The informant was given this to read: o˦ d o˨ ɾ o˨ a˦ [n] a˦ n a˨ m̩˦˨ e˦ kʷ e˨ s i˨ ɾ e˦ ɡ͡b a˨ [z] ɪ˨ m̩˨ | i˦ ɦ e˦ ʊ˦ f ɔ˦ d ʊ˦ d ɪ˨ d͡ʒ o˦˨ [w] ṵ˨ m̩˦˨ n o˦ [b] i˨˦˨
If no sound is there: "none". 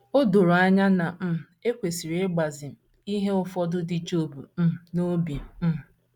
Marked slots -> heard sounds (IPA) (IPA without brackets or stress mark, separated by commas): ɲ, z, b, b